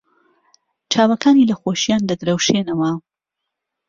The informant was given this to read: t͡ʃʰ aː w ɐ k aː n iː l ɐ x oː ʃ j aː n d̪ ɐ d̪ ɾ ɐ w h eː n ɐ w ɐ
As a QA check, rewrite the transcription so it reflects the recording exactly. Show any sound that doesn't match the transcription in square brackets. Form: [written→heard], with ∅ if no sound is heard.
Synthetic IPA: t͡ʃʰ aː w ɐ k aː n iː l ɐ x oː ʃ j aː n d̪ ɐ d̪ ɾ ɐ w [h→ʃ] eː n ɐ w ɐ